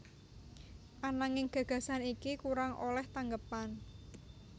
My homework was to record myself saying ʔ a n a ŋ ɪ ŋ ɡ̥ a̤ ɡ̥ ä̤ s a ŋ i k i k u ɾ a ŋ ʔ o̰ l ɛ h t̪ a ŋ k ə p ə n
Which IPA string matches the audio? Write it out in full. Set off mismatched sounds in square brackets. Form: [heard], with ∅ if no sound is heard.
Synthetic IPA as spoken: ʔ a n a ŋ ɪ ŋ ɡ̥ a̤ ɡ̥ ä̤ s a [n] i k i k u ɾ a ŋ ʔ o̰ l ɛ h t̪ a ŋ [ɡ] ə p [a] n